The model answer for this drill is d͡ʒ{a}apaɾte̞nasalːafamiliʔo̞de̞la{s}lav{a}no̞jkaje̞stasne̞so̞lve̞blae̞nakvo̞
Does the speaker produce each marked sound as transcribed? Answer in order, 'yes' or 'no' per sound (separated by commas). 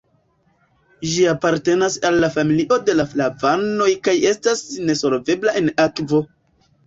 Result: no, no, yes